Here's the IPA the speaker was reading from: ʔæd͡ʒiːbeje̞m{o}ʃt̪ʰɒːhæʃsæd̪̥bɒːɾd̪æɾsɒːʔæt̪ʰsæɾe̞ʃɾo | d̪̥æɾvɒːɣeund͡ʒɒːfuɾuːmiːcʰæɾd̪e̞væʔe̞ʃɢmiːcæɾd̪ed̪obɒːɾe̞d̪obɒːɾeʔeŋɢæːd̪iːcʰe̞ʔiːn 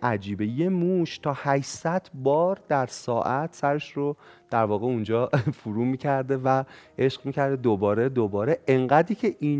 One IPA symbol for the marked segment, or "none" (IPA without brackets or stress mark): u